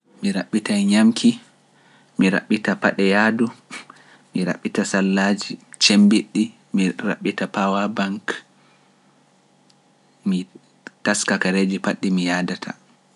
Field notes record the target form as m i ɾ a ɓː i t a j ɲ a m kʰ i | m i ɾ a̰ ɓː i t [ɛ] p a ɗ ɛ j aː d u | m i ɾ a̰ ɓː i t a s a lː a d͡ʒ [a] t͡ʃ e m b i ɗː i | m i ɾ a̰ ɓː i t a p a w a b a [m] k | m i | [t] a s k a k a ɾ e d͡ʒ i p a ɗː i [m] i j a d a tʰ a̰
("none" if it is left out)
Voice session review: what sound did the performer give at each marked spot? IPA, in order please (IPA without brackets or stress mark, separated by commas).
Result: a, i, ŋ, t, m